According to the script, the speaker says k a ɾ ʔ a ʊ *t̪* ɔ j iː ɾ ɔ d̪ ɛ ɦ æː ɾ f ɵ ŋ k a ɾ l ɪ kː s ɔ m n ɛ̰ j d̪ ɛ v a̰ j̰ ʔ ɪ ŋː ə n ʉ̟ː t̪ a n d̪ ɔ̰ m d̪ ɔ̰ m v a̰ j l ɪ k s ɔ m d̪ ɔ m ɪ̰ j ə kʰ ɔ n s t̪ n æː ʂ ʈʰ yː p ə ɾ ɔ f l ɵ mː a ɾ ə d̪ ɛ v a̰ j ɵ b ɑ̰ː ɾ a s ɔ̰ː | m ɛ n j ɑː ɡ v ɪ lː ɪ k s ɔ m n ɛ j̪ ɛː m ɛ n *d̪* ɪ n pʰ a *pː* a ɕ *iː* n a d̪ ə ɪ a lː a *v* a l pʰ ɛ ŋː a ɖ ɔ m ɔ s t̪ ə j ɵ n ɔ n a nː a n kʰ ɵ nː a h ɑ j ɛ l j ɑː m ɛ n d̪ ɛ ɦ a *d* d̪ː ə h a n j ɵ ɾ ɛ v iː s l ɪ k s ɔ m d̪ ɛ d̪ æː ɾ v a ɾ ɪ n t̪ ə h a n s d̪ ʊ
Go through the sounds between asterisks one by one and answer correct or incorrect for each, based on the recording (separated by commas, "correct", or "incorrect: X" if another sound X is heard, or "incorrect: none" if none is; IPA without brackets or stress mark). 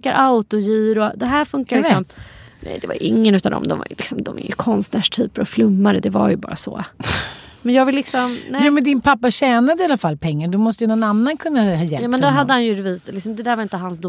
correct, correct, correct, incorrect: ɛː, incorrect: f, correct